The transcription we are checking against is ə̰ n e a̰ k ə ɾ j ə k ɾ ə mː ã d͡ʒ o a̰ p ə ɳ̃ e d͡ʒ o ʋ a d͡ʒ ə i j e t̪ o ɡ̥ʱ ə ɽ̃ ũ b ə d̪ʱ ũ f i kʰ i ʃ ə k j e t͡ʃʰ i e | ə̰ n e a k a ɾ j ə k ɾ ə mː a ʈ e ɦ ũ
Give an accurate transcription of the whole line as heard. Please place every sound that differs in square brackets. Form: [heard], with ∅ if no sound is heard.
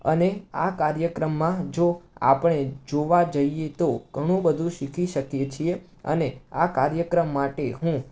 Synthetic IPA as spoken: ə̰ n e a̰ k [a] ɾ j ə k ɾ ə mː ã d͡ʒ o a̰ p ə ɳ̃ e d͡ʒ o ʋ a d͡ʒ ə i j e t̪ o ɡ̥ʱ ə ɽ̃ ũ b ə d̪ʱ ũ [ʃ] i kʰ i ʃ ə k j e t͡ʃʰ i e | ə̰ n e a k a ɾ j ə k ɾ ə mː a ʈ e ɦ ũ